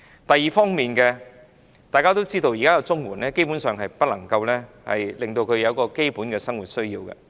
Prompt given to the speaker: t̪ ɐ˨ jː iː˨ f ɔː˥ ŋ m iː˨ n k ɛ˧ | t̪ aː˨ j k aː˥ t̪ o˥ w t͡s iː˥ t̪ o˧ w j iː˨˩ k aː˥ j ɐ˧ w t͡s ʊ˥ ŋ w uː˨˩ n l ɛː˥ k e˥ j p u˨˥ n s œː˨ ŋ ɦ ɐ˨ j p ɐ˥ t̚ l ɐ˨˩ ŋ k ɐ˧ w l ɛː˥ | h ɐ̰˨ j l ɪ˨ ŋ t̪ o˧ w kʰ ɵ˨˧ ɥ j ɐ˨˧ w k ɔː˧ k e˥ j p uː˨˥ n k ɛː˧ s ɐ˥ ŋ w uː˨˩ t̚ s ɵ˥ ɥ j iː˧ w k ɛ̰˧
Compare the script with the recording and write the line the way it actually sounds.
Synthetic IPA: t̪ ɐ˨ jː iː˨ f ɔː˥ ŋ m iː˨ n k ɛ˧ | t̪ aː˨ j k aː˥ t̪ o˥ w t͡s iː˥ t̪ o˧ w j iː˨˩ k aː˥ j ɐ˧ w t͡s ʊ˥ ŋ w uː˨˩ n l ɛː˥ k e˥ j p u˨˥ n s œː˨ ŋ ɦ ɐ˨ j p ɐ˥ t̚ l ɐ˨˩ ŋ k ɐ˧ w l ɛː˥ | h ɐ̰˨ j l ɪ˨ ŋ t̪ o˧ w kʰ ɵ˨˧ ɥ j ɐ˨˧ w k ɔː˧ k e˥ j p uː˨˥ n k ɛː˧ s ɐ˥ ŋ w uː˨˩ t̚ s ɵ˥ ɥ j iː˧ w k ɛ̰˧